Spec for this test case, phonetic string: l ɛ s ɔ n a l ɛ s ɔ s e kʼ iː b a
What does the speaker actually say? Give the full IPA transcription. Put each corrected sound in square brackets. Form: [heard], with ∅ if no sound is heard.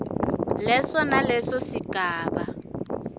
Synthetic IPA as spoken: l ɛ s ɔ n a l ɛ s ɔ s [i] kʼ [aː] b a